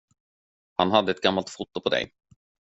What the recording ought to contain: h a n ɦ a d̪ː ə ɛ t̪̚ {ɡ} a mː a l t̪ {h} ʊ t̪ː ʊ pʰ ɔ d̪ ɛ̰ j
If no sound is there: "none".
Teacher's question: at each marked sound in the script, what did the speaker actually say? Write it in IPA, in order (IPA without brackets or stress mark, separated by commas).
ɡ, f